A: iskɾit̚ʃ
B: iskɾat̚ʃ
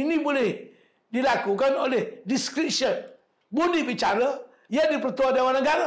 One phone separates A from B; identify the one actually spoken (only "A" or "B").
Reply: A